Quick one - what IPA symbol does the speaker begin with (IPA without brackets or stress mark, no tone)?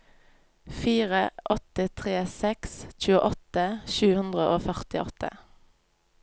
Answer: f